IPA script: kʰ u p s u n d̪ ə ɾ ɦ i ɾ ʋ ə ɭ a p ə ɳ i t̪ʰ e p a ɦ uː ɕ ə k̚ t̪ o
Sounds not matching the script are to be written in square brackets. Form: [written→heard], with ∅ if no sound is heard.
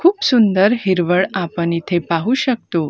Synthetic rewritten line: kʰ [u→uː] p s u n d̪ ə ɾ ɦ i ɾ ʋ ə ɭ a p ə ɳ i t̪ʰ e p a ɦ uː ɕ ə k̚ t̪ o